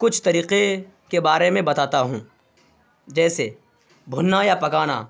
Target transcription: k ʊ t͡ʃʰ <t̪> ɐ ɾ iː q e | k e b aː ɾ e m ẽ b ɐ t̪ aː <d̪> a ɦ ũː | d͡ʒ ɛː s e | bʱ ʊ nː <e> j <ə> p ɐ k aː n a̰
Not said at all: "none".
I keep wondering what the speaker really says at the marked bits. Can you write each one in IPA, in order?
t̪, t̪, a, a

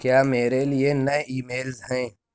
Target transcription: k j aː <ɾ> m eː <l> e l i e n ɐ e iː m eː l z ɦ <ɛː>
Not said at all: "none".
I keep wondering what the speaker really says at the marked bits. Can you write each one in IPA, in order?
none, ɾ, ɛ̃ː

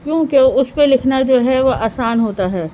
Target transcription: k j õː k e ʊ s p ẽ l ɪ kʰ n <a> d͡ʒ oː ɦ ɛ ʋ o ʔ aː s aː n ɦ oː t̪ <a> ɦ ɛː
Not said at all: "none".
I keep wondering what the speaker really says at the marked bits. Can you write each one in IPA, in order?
a, a

